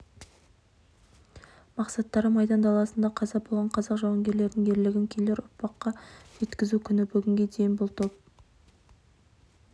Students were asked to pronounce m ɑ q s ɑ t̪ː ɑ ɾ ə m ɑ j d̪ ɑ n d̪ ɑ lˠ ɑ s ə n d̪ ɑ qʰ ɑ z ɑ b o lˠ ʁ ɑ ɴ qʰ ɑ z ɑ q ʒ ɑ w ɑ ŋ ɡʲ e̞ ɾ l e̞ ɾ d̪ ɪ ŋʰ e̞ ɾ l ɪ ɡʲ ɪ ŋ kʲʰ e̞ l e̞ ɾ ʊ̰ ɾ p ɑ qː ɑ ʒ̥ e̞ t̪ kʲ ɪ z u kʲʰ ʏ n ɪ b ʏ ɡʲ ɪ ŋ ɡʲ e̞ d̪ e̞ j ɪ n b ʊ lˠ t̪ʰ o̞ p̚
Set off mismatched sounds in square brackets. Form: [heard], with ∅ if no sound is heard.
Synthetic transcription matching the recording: m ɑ q s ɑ t̪ː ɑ ɾ ə m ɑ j d̪ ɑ n d̪ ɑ lˠ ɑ s ə n d̪ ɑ qʰ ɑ z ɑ b o lˠ ʁ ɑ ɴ qʰ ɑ z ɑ q ʒ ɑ w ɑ ŋ ɡʲ e̞ ɾ l e̞ ɾ d̪ ɪ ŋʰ e̞ ɾ l ɪ ɡʲ ɪ ŋ kʲʰ e̞ l e̞ ɾ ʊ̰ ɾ p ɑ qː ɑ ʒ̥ e̞ t̪ kʲ ɪ z u kʲʰ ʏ n ɪ b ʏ ɡʲ ɪ ŋ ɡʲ e̞ d̪ e̞ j ɪ n b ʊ lˠ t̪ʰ o̞ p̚